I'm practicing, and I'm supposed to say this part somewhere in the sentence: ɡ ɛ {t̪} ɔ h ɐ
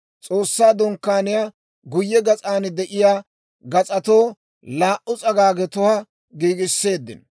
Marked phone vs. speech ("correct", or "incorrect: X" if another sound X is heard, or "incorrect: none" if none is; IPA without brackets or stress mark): correct